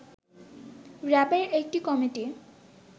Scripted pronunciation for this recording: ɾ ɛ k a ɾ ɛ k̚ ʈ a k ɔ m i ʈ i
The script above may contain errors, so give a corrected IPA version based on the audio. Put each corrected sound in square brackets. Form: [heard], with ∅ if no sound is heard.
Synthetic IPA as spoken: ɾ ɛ [p] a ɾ [e] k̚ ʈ [i] k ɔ m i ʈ i